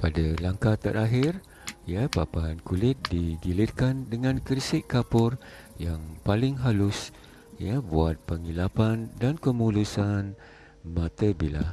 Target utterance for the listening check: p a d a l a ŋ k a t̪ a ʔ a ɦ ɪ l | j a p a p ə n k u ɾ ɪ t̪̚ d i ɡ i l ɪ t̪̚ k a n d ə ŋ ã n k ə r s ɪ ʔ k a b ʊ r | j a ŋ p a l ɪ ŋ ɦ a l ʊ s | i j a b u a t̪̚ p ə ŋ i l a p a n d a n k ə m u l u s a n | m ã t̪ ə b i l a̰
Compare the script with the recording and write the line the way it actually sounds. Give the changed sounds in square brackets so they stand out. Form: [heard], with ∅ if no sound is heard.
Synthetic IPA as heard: p a d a l a ŋ k a t̪ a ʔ a ɦ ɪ [r] | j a p a p [a] n k u [l] ɪ t̪̚ d i ɡ i l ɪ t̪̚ k a n d ə ŋ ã n k ə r s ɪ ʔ k a [p] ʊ r | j a ŋ p a l ɪ ŋ ɦ a l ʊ s | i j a b u a t̪̚ p ə ŋ i l a p a n d a n k ə m u l u s a n | m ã t̪ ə b i l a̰